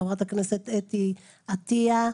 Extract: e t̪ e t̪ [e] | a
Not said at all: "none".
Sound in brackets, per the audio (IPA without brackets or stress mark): i